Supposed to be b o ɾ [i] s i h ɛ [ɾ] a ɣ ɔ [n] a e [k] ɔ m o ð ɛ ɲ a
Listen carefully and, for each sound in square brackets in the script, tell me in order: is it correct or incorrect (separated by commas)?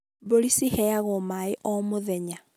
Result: correct, incorrect, incorrect, incorrect